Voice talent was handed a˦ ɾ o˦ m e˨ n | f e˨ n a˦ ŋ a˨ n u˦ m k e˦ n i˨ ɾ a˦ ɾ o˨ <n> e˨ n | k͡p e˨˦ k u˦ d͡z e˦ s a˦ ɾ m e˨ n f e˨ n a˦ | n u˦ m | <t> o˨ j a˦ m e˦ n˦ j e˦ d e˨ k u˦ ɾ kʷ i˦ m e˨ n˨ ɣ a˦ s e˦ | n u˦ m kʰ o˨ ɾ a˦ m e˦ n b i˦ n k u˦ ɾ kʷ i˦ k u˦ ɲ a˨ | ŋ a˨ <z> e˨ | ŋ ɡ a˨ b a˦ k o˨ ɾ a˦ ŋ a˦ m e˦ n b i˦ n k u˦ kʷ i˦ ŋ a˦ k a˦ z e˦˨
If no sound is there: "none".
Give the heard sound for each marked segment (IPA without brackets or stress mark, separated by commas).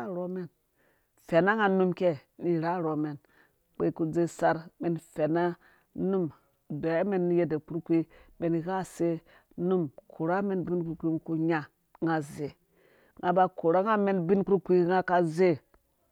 m, d, z